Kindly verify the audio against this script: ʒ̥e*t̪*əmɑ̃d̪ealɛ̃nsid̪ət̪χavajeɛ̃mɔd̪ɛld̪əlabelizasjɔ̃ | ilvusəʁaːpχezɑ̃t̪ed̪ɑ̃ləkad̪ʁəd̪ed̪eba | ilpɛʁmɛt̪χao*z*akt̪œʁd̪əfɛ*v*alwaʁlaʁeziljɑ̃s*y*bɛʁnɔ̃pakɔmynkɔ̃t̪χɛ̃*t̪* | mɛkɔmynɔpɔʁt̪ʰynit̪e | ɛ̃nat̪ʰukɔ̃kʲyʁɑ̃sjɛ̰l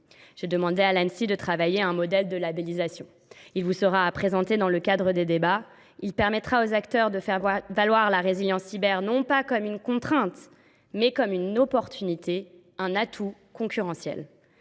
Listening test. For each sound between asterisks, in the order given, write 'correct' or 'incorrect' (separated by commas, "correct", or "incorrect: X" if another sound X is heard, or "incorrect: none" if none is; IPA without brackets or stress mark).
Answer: incorrect: d̪, correct, correct, incorrect: i, correct